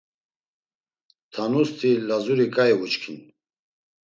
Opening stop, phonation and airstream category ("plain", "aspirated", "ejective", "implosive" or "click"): aspirated